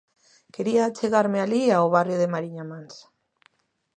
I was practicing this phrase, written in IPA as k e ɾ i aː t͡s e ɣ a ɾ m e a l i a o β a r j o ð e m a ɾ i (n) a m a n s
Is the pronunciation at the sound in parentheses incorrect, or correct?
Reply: incorrect